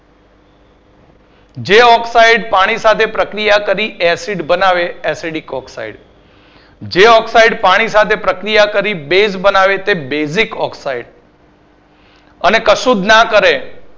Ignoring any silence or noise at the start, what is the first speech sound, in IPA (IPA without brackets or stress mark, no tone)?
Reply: d͡ʒ